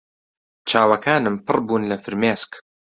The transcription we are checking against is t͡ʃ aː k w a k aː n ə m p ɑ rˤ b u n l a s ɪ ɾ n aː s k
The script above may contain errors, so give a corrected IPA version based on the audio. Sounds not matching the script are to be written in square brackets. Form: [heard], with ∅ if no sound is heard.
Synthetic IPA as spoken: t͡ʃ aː [∅] w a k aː n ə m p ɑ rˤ b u n l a [f] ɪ ɾ [m] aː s k